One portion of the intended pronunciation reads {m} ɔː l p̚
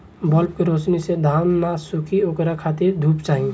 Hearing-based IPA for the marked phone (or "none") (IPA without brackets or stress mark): b